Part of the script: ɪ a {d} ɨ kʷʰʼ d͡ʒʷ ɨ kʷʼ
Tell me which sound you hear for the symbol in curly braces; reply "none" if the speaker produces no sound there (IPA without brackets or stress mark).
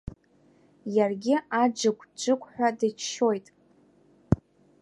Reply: d͡ʒ